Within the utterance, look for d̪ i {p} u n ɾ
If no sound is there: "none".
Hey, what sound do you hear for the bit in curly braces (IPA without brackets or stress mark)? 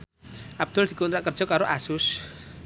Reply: k